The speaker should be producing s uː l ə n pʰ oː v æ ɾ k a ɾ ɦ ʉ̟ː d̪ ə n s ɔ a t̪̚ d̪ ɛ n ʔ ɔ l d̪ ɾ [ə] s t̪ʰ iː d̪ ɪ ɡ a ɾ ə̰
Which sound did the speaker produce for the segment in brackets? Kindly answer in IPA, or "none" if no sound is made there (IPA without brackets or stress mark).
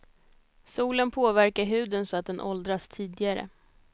a